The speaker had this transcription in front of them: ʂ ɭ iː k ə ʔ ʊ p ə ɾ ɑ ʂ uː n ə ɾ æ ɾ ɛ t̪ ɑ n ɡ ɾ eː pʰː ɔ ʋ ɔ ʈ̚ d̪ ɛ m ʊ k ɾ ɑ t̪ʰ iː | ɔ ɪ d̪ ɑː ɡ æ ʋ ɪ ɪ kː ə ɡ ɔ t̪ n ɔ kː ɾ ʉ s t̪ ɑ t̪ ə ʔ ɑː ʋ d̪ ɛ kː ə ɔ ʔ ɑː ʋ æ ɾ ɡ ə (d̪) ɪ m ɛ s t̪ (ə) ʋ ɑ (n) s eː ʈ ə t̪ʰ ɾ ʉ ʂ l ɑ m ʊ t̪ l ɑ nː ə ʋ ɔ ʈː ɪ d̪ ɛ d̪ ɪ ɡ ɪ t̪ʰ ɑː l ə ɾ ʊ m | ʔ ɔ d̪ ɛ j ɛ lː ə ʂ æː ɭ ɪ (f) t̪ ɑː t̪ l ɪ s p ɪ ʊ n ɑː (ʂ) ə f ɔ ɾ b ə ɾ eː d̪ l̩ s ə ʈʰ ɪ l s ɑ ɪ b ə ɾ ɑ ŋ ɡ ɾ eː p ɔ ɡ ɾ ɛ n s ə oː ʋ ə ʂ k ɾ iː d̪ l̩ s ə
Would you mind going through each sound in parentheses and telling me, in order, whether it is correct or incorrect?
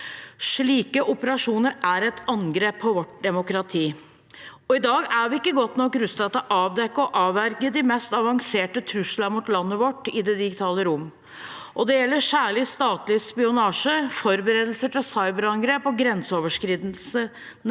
correct, incorrect: ɑ, incorrect: ŋ, incorrect: s, correct

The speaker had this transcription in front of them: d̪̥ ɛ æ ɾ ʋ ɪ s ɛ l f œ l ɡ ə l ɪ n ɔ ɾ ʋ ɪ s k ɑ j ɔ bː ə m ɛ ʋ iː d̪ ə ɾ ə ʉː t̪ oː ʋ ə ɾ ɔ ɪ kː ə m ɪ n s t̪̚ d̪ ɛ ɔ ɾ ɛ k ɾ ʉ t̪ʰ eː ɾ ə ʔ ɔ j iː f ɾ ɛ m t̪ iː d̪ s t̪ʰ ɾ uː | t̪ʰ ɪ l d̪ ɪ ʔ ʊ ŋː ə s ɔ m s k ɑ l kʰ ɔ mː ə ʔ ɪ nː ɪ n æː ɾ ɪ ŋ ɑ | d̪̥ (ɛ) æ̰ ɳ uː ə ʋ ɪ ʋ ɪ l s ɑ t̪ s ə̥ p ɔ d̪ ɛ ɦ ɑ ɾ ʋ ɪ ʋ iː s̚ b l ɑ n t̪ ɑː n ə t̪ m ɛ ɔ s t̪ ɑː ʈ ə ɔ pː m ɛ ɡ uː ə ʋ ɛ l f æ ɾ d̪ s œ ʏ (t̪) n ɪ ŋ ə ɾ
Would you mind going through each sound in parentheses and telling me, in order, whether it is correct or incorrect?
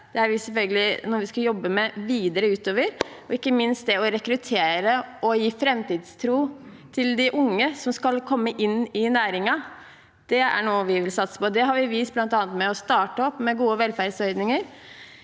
correct, incorrect: d̪

